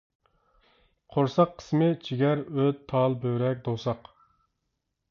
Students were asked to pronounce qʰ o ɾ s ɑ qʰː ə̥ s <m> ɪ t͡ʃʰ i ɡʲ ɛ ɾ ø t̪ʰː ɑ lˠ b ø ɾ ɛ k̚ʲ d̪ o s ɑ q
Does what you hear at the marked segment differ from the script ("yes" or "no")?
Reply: no